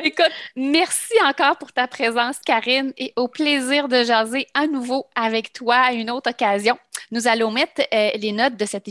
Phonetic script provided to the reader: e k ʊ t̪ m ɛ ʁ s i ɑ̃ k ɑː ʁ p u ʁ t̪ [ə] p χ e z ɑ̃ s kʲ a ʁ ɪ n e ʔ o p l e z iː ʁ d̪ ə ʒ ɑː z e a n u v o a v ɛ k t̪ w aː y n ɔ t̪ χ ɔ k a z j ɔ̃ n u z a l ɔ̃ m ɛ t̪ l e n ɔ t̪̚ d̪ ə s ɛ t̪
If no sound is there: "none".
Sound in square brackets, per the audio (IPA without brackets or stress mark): a